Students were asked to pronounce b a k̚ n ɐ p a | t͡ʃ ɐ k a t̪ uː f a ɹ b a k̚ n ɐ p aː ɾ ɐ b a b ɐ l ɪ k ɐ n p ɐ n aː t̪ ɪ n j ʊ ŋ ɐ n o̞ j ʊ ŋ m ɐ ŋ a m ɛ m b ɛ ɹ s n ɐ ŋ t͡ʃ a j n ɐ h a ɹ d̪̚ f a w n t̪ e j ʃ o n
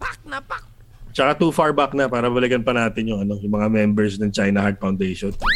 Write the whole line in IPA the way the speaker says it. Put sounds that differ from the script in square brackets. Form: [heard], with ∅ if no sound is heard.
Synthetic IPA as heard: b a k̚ n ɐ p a | t͡ʃ ɐ k a t̪ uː f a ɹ b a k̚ n ɐ p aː ɾ ɐ b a b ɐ l ɪ k ɐ n p ɐ n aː t̪ ɪ n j ʊ ŋ ɐ n o̞ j ʊ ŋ m ɐ ŋ a m ɛ m b ɛ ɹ s n ɐ ŋ t͡ʃ a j n ɐ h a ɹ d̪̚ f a w n [d̪] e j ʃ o n